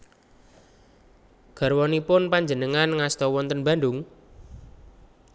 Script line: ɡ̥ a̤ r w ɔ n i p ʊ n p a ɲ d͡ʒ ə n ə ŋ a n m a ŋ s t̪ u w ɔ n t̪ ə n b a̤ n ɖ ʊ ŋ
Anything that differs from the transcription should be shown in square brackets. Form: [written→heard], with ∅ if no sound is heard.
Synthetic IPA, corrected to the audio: ɡ̥ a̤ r w ɔ n i p ʊ n p a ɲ d͡ʒ ə n ə ŋ a n [m→ŋ] a [ŋ→∅] s t̪ [u→ɔ] w ɔ n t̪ ə n b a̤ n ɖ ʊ ŋ